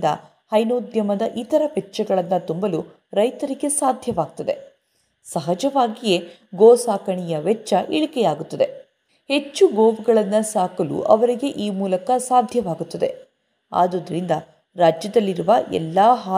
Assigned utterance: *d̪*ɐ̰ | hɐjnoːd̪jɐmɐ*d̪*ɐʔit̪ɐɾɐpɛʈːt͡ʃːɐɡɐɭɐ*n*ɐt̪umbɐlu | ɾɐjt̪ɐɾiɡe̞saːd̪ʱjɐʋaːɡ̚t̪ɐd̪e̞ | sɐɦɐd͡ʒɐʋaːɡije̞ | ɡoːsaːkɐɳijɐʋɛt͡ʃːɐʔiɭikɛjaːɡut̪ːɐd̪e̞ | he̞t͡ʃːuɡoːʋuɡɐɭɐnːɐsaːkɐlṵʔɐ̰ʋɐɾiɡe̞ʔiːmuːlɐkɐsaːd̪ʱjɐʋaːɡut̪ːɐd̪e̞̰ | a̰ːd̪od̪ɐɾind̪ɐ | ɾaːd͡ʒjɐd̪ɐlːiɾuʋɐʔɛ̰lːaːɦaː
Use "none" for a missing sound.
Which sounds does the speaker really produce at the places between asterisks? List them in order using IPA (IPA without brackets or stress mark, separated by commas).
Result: d̪, d̪, nː